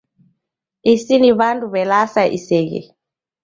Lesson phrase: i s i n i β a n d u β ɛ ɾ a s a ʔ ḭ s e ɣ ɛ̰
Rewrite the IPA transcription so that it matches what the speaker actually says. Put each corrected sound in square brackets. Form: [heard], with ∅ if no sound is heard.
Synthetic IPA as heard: i s i n i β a n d u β ɛ [l] a s a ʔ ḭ s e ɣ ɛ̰